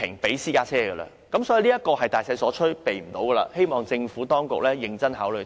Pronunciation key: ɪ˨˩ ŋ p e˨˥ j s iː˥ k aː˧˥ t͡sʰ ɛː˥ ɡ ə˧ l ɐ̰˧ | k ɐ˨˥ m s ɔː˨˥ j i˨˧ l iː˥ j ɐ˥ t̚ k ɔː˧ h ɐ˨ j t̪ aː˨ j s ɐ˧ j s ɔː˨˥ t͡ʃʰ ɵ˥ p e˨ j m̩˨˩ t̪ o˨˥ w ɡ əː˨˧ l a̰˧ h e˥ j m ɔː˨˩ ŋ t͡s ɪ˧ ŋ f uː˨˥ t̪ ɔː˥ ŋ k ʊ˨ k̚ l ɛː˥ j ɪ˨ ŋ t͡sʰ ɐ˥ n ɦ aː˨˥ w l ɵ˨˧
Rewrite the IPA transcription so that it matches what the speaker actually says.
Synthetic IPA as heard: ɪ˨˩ ŋ p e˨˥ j s iː˥ k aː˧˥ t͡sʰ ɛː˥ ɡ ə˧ l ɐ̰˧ | k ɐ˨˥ m s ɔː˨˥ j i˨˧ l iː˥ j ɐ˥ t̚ k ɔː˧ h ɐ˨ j t̪ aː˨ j s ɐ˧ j s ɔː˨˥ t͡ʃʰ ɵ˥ p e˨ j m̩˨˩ t̪ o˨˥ w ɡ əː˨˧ l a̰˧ h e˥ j m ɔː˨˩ ŋ t͡s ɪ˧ ŋ f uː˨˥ t̪ ɔː˥ ŋ k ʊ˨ k̚ l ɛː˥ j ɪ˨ ŋ t͡s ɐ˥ n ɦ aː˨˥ w l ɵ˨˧

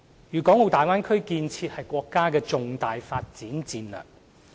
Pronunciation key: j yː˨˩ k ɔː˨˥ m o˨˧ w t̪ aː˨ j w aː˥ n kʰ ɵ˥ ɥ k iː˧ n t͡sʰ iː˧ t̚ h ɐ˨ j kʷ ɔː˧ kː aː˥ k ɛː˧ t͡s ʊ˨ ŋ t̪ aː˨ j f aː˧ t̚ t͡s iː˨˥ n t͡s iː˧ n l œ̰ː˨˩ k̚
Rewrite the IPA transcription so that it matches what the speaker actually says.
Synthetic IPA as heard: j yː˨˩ k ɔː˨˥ ŋ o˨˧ w t̪ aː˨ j w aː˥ n kʰ ɵ˥ ɥ k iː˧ n t͡sʰ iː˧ t̚ h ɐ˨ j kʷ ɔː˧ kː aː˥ k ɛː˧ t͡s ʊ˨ ŋ t̪ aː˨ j f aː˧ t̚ t͡s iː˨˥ n t͡s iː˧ n l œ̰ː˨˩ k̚

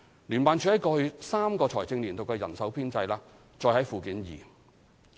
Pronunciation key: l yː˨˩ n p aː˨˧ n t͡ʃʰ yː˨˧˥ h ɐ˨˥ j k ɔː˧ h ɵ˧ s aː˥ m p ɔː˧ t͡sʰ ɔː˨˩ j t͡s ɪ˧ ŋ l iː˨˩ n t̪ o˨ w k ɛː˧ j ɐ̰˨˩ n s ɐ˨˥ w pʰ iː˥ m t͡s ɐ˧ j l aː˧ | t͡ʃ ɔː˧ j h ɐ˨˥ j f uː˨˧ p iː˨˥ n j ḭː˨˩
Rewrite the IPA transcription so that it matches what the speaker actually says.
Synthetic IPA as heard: l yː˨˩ n p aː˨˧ n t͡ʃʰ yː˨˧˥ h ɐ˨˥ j k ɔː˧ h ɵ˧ s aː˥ m k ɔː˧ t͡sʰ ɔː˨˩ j t͡s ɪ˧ ŋ l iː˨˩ n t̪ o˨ w k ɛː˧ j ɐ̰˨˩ n s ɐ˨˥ w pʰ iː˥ n t͡s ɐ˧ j l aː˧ | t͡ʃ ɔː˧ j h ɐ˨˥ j f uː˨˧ k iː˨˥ n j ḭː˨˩

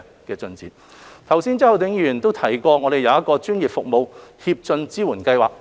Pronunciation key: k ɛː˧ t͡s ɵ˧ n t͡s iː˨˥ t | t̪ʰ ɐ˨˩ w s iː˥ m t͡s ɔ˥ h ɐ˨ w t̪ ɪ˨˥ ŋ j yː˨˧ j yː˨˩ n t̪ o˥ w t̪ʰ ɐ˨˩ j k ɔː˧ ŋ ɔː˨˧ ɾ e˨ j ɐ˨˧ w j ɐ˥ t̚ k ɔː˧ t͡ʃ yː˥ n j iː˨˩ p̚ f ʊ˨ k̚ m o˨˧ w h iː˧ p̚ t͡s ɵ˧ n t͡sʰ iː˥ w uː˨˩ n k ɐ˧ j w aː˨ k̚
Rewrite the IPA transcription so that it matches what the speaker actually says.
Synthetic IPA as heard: k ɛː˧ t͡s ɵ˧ n t͡s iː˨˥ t | t̪ʰ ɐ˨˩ w s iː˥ n t͡s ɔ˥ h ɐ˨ w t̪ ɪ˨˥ ŋ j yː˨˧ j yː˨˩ n t̪ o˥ w t̪ʰ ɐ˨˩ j k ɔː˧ ŋ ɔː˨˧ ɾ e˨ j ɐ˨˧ w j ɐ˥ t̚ k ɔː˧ t͡ʃ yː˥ n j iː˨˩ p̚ f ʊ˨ k̚ m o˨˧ w h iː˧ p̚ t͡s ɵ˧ n t͡s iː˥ w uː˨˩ n k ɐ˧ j w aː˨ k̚

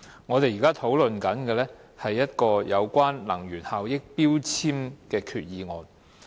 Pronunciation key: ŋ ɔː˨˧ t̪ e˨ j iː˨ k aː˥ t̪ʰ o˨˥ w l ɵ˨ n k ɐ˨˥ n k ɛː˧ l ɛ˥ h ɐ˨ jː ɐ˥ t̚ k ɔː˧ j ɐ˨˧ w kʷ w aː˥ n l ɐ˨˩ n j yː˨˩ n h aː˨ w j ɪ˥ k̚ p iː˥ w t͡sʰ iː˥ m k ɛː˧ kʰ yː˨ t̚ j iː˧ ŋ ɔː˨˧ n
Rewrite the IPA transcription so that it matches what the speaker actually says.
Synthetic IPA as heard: ŋ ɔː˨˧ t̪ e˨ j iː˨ k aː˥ t̪ʰ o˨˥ w l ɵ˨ n k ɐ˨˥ n k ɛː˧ l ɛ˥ h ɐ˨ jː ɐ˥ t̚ k ɔː˧ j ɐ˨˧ w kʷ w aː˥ n l ɐ˨˩ ŋ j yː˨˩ n h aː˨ w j ɪ˥ k̚ p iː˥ w t͡sʰ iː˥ m k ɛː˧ kʰ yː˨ t̚ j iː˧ ŋ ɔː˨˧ n

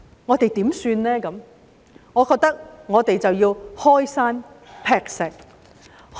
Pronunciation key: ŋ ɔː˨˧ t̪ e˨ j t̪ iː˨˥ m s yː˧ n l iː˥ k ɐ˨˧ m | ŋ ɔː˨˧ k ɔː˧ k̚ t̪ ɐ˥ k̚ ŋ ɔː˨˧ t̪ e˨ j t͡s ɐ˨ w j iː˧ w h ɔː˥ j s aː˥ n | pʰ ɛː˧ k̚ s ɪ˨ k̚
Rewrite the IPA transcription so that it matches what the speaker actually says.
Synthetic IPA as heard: ŋ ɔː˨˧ t̪ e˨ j t̪ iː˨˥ m s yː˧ n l ɛː˥ k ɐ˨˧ m | ŋ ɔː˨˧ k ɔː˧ k̚ t̪ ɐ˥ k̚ ŋ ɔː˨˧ t̪ e˨ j t͡s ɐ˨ w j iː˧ w h ɔː˥ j s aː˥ n | pʰ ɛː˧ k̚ s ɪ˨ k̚

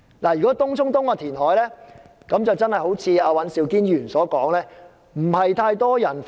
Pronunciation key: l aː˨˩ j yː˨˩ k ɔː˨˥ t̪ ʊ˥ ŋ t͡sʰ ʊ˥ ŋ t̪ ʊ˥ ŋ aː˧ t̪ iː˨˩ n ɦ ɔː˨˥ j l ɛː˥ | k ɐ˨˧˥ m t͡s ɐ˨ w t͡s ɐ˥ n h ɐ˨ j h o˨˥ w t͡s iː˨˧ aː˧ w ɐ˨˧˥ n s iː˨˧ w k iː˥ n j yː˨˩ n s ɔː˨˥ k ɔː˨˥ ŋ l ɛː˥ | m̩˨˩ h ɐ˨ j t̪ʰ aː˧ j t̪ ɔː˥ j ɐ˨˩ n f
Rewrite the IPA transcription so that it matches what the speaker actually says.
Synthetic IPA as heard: l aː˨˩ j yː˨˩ k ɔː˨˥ t̪ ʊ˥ ŋ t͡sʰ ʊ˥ ŋ t̪ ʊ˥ ŋ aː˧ t̪ʰ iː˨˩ n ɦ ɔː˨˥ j l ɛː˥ | k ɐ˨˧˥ m t͡s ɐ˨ w t͡s ɐ˥ n h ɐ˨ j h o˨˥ w t͡sʰ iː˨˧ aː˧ w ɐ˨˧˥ n s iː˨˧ w k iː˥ n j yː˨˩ n s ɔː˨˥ k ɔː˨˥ ŋ l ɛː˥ | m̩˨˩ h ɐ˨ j t̪ʰ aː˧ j t̪ ɔː˥ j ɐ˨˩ n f

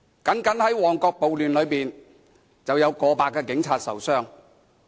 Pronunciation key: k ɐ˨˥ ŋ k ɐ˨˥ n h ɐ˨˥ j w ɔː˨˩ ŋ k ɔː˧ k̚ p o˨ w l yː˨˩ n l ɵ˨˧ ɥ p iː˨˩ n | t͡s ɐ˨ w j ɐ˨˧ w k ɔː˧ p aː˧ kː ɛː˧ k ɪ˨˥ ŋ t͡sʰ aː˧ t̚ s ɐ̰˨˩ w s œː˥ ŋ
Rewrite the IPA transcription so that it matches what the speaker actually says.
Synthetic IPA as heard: k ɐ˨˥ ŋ k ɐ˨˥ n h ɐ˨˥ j w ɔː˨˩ ŋ k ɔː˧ k̚ p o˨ w l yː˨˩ n l ɵ˨˧ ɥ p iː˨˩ n | t͡s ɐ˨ w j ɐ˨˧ w k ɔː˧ p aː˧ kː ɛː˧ k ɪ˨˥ ŋ t͡sʰ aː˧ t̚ s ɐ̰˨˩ w s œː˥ ŋ

